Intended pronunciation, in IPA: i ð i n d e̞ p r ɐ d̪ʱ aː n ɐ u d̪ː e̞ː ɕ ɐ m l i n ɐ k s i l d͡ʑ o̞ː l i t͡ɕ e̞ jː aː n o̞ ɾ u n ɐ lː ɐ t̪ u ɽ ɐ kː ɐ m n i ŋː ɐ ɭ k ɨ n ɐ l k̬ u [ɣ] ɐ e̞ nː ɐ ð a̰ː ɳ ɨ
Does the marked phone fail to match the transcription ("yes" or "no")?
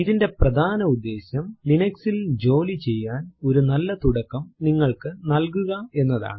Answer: no